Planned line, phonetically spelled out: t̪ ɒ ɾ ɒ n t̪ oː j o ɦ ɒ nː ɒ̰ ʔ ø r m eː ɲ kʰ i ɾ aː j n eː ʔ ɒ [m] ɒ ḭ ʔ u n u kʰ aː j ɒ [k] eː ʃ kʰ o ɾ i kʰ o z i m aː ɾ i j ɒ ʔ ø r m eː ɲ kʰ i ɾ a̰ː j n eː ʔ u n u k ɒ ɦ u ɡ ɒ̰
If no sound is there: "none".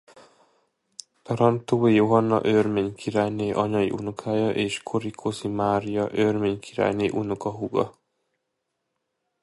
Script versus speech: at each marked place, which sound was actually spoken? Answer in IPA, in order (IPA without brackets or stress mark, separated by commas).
ɲ, ʔ